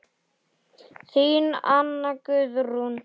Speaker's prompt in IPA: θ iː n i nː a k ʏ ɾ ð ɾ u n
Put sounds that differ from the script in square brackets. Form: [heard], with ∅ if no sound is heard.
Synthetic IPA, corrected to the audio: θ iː n [a] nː a k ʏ [∅] ð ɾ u n